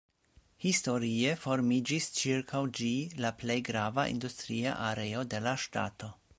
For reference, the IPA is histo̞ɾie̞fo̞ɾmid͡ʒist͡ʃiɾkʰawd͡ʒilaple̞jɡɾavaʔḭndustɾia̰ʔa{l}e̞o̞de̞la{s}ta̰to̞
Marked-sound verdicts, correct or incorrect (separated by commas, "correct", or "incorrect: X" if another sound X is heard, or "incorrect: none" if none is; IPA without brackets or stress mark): incorrect: ɾ, incorrect: ʃ